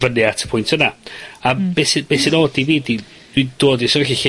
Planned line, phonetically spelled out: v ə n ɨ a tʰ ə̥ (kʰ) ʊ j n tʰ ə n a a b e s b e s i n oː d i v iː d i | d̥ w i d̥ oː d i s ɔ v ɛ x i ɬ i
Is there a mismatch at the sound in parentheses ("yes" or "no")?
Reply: yes